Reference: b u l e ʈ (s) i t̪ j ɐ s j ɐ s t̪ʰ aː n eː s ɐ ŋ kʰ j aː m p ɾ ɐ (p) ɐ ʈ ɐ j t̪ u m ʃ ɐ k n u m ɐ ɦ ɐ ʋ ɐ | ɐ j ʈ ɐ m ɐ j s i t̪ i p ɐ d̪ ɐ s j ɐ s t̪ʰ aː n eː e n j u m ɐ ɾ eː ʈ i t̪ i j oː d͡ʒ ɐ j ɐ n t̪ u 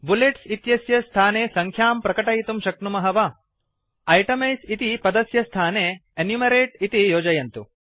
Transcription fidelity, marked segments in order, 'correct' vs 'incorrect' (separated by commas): correct, incorrect